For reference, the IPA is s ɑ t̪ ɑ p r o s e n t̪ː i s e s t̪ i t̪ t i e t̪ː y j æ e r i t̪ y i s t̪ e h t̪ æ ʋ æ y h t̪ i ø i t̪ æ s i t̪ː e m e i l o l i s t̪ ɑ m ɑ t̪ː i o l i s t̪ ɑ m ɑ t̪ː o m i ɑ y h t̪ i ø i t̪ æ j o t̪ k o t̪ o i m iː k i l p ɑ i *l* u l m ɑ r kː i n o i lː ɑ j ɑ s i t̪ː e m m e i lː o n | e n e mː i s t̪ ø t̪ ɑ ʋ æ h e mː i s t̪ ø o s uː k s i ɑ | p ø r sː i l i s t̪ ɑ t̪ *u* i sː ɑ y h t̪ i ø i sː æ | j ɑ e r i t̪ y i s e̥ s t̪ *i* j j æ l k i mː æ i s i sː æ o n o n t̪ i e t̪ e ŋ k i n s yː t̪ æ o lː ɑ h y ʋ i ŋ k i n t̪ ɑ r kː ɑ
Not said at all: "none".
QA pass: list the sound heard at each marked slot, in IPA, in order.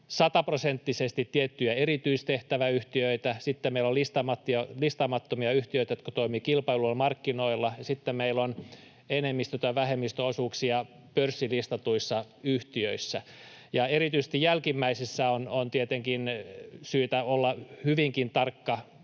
l, u, i

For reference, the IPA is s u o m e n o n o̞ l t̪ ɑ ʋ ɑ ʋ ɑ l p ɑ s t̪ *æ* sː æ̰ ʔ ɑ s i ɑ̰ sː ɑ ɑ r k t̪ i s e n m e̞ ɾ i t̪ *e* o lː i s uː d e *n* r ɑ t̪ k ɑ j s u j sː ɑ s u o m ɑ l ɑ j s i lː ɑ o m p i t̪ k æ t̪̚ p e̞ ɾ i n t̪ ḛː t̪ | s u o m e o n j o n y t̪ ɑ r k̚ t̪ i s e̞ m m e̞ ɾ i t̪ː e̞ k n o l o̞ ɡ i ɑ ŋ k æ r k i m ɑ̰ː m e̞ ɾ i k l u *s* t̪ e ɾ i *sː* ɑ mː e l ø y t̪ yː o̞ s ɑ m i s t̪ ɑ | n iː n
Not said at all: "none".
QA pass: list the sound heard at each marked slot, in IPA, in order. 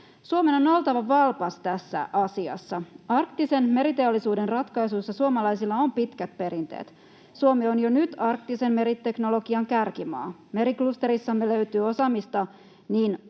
æ, e, n, s, sː

